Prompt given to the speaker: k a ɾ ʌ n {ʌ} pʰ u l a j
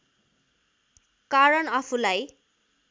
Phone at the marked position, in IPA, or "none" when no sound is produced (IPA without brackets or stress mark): ʌ